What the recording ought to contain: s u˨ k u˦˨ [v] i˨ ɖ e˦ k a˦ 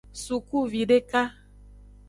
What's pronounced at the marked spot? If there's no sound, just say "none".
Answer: v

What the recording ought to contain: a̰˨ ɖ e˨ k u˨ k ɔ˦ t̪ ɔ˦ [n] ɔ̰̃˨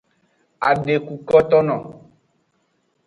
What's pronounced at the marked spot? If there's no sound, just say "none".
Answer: n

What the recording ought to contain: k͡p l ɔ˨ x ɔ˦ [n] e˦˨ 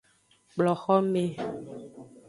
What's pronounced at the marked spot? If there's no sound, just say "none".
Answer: m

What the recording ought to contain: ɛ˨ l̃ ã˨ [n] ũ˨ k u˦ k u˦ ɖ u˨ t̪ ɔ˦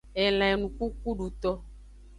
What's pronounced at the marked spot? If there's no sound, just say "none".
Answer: n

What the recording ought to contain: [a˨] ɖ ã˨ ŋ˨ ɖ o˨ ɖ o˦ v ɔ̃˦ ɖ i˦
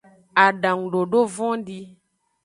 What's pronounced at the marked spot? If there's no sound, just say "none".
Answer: a˨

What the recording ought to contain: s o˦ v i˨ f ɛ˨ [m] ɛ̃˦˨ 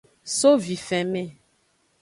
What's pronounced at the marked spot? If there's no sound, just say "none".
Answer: m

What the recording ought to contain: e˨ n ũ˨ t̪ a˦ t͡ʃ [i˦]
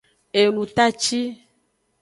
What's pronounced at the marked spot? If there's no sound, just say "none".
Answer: i˦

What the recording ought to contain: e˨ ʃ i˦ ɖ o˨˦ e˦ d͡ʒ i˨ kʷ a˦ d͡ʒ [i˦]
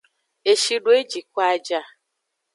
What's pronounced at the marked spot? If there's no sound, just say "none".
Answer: a˦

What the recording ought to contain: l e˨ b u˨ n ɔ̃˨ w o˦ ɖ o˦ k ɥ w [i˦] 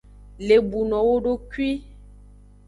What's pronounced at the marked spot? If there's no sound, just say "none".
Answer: i˦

